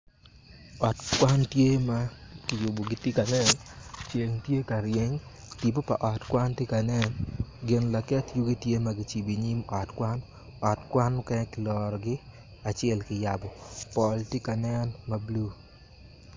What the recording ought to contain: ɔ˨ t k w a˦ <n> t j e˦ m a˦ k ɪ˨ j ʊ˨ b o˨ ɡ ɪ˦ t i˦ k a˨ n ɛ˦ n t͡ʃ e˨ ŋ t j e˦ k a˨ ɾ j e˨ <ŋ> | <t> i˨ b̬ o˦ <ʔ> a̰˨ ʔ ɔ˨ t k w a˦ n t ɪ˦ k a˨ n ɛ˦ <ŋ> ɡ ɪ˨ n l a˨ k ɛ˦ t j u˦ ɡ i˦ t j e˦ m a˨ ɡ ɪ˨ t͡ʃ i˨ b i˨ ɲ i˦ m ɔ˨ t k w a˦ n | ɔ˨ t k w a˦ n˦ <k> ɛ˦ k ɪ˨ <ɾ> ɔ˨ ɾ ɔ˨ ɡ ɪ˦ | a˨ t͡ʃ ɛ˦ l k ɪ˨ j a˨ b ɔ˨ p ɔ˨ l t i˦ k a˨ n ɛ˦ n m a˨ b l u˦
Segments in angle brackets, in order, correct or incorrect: correct, correct, correct, incorrect: p, incorrect: n, correct, incorrect: l

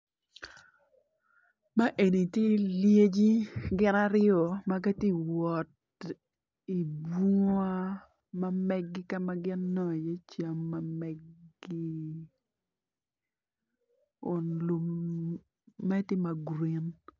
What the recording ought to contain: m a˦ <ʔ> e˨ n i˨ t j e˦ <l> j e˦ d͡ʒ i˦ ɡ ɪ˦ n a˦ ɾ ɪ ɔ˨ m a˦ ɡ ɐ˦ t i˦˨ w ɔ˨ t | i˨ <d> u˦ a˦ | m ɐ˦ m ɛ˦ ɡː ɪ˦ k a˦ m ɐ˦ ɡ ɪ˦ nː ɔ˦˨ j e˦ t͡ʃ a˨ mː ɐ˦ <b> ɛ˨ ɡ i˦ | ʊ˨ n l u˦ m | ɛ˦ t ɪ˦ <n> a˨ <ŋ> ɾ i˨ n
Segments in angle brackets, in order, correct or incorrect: correct, correct, incorrect: b, incorrect: m, incorrect: m, incorrect: ɡ

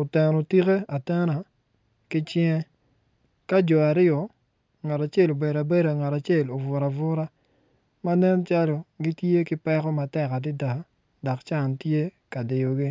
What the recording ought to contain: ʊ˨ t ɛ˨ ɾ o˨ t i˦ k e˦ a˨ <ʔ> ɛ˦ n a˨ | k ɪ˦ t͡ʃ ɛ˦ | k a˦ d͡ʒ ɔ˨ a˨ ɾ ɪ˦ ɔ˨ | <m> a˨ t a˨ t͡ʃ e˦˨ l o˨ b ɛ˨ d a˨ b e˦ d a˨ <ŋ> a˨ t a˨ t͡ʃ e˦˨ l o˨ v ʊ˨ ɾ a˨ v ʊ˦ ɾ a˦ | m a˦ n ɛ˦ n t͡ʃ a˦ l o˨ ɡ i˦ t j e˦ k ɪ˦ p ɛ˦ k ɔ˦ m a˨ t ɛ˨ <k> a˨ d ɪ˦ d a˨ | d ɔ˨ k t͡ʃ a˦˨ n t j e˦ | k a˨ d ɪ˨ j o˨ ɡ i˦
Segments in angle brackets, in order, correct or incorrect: incorrect: t, incorrect: ŋ, correct, correct

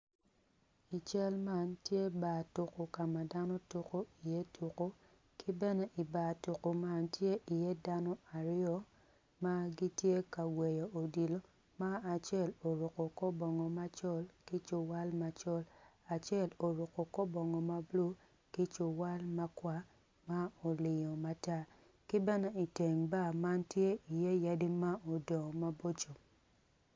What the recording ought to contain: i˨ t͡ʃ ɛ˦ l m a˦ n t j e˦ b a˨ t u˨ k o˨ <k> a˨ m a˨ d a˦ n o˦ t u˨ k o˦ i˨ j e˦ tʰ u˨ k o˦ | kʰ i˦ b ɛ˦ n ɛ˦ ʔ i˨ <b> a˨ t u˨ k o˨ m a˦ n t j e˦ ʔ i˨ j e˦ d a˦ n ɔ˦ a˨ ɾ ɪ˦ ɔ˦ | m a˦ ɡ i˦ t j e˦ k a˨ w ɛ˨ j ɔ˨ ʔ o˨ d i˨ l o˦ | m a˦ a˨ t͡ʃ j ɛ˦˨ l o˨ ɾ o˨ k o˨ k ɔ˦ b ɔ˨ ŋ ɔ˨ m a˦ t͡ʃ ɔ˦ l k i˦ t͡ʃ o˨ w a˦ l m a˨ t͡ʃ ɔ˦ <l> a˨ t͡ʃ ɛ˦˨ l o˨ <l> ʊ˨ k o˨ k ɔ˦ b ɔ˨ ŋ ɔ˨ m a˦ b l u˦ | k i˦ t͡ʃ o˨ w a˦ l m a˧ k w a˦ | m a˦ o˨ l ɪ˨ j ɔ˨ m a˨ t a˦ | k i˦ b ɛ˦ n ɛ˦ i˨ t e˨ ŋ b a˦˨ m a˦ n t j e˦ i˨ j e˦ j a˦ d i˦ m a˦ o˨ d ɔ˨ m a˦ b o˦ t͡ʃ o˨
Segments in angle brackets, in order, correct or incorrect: correct, correct, correct, incorrect: ɾ

